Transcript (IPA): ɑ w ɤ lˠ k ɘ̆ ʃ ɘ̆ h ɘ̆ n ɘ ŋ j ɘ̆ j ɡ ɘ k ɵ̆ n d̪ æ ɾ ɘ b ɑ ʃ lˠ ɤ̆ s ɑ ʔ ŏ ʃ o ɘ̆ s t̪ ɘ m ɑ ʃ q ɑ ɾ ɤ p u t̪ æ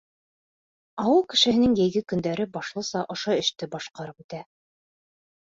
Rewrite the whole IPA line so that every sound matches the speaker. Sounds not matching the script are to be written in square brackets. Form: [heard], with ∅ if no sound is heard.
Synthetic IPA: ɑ w ɤ lˠ k ɘ̆ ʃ ɘ̆ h ɘ̆ n ɘ ŋ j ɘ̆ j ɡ ɘ k ɵ̆ n d̪ æ ɾ ɘ b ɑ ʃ lˠ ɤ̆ s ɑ ʔ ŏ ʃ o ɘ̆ [ʃ] t̪ ɘ [b] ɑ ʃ q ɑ ɾ ɤ p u t̪ æ